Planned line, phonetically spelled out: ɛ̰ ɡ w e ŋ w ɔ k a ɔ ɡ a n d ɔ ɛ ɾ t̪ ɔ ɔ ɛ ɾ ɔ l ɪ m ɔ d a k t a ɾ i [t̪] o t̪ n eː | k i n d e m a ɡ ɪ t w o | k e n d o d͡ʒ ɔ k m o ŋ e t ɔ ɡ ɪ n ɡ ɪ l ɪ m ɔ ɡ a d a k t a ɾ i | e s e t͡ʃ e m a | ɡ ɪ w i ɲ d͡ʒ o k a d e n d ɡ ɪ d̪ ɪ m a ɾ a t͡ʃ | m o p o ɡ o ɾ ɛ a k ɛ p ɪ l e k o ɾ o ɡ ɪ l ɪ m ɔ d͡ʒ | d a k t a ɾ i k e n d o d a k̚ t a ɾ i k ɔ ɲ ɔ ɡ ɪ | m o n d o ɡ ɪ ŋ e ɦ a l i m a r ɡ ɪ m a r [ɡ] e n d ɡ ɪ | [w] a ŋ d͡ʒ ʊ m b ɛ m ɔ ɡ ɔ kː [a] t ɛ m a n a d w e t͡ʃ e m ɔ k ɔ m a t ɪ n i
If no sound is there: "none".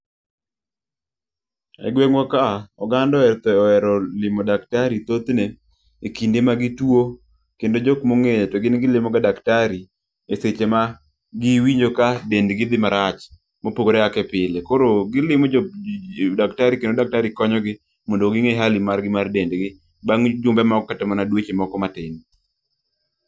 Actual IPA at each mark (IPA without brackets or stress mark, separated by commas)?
t̪, d, b, a